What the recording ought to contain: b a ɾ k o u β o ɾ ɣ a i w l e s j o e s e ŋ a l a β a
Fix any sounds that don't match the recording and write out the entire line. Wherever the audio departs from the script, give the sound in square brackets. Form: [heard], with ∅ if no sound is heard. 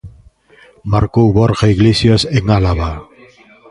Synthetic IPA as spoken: [m] a ɾ k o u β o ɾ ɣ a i [ɣ] l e s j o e s e ŋ a l a β a